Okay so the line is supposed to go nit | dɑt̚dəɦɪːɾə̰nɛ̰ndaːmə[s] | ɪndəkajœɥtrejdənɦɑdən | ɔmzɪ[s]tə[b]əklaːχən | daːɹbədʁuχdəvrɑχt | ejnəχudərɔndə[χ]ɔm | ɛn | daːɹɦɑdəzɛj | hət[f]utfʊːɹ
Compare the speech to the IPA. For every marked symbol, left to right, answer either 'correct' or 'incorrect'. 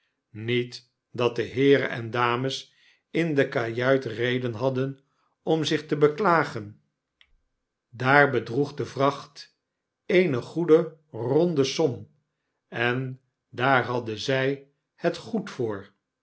correct, incorrect, correct, incorrect, incorrect

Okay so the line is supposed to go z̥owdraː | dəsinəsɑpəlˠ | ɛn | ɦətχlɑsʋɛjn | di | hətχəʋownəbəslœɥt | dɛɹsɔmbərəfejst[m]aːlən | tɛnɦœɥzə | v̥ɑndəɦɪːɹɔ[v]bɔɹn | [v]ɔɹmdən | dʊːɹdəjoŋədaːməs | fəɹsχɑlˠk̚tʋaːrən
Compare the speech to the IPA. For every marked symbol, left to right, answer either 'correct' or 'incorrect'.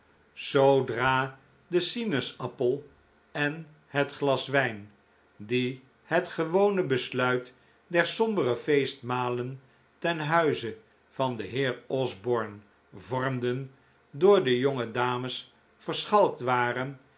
correct, incorrect, correct

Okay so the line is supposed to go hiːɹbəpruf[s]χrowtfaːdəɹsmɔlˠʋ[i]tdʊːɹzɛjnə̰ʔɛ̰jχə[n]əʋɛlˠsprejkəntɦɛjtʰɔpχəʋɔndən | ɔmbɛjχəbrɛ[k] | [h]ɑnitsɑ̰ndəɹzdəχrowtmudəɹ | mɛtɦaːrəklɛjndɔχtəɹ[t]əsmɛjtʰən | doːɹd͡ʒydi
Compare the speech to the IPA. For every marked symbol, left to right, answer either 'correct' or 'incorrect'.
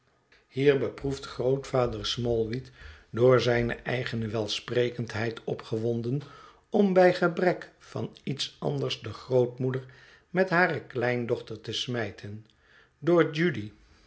incorrect, correct, correct, correct, incorrect, correct

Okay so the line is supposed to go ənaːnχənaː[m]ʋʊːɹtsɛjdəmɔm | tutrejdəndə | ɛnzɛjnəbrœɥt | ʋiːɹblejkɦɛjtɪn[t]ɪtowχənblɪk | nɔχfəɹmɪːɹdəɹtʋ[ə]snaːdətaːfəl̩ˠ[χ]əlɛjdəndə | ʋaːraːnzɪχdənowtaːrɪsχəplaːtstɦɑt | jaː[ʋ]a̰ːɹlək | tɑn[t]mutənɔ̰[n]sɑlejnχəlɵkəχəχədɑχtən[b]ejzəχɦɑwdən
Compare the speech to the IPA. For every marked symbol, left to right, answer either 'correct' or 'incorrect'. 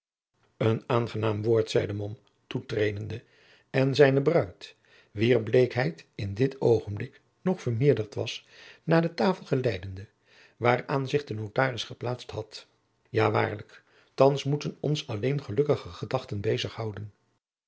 correct, incorrect, incorrect, correct, correct, incorrect, correct, correct

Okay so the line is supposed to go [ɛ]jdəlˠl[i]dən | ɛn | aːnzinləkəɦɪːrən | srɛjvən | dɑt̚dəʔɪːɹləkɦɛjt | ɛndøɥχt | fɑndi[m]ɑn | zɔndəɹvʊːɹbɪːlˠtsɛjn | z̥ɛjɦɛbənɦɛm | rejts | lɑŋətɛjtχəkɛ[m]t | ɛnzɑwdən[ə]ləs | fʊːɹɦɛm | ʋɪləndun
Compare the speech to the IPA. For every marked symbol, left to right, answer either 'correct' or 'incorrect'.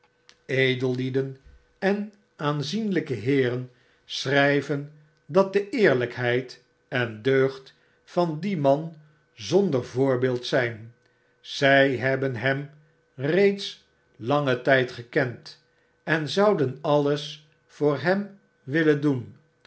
incorrect, correct, correct, incorrect, incorrect

